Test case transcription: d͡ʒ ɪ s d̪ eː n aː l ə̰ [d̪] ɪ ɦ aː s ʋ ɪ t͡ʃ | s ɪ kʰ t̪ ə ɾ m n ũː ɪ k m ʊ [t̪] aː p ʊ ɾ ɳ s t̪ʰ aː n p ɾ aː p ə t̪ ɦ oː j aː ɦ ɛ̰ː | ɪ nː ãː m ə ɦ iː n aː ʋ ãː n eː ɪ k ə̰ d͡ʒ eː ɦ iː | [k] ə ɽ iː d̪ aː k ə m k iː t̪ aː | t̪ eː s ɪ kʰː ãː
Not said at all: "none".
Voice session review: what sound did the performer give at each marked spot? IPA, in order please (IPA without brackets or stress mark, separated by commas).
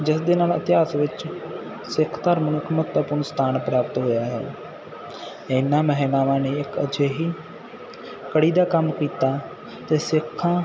t̪, t̪, k